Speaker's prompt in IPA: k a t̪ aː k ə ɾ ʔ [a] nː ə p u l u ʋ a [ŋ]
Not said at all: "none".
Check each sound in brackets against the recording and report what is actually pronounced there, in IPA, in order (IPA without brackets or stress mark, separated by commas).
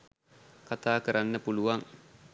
a, ŋ